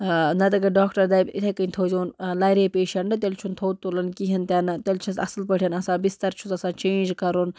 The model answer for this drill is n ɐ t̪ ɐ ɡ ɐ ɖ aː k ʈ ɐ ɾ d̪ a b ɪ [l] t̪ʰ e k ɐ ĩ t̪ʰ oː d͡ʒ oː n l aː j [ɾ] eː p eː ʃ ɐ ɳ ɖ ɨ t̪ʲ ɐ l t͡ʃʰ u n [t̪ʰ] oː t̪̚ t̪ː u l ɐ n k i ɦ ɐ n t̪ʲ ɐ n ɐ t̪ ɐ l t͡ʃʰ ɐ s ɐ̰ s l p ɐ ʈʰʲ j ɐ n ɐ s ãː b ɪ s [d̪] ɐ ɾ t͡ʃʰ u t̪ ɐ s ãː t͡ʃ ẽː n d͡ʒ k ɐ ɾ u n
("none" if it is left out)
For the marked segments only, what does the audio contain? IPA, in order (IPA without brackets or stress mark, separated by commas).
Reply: none, ɾ, t̪ʰ, t̪